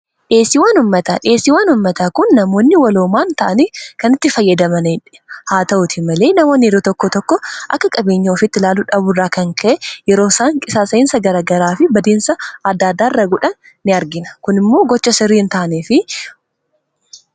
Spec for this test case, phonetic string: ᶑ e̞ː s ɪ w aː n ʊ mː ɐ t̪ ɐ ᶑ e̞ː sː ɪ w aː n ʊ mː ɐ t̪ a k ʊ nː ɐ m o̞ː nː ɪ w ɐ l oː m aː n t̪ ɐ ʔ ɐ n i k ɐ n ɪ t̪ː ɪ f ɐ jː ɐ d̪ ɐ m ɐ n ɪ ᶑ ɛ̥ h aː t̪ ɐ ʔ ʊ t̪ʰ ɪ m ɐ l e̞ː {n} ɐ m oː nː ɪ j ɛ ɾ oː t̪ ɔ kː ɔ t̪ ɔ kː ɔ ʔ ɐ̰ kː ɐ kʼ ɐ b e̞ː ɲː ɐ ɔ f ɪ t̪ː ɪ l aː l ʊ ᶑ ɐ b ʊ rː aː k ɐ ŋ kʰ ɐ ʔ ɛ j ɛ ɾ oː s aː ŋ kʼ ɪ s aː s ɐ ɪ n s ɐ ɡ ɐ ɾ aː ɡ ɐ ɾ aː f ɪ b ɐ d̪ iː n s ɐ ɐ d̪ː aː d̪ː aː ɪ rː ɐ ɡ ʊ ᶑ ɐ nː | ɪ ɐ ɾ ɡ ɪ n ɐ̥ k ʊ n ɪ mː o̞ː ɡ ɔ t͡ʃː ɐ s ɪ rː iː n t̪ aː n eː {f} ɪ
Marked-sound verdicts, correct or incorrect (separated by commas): correct, correct